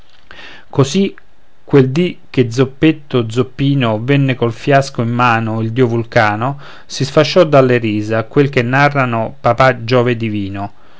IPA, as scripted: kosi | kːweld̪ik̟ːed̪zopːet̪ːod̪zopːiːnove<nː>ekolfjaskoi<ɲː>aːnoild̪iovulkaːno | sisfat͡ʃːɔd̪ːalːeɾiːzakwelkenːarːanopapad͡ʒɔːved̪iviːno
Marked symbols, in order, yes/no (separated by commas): yes, no